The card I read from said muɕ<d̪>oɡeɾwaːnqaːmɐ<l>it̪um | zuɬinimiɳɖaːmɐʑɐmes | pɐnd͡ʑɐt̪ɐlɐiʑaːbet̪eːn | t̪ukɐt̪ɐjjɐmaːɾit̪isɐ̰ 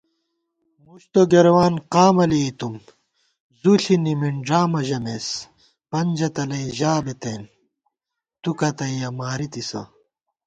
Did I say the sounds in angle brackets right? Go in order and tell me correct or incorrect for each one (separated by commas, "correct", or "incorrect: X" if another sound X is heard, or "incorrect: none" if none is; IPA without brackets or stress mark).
incorrect: t̪, correct